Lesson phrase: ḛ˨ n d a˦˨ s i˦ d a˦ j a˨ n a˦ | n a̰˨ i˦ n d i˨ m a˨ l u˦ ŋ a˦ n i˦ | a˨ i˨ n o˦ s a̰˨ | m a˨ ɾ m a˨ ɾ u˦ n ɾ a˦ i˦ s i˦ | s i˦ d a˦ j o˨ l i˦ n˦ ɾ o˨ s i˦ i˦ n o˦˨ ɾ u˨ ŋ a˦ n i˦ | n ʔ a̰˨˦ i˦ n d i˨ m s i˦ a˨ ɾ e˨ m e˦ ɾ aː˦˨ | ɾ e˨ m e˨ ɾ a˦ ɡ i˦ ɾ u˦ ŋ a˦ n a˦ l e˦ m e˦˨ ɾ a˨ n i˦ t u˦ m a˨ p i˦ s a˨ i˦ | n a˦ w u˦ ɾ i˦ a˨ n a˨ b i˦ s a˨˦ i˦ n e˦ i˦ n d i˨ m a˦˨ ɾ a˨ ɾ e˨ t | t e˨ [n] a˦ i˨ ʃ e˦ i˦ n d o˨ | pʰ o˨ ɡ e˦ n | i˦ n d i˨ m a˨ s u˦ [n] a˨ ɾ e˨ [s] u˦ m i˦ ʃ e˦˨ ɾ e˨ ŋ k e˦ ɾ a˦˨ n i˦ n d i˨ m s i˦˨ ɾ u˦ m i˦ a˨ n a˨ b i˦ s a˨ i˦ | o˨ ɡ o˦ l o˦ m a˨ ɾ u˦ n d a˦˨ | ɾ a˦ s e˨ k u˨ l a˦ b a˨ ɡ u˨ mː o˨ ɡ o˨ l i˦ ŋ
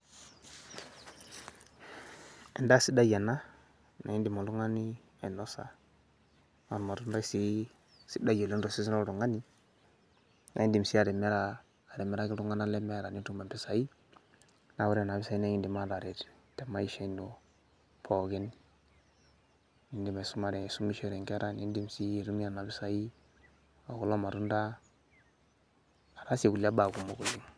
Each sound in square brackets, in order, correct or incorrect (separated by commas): incorrect, incorrect, correct